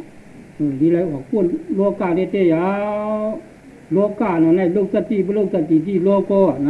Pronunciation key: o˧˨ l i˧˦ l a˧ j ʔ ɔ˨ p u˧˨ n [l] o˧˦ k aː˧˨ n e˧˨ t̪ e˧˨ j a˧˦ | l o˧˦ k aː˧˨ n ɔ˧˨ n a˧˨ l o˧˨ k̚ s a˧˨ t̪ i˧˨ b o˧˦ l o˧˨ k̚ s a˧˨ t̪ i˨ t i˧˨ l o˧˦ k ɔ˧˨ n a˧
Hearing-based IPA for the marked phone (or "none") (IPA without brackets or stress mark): l